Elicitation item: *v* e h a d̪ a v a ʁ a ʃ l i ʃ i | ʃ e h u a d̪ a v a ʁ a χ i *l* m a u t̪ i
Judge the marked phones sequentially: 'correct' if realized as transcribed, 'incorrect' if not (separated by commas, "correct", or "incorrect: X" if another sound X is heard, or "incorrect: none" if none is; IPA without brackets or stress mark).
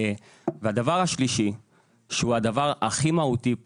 correct, incorrect: none